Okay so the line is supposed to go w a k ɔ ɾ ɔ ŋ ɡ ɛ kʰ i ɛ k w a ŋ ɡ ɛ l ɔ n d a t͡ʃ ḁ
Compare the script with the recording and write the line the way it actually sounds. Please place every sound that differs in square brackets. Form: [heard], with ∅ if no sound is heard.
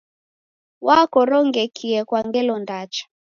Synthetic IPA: w a k ɔ ɾ ɔ ŋ ɡ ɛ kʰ i ɛ k w a ŋ ɡ ɛ l ɔ n d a t͡ʃ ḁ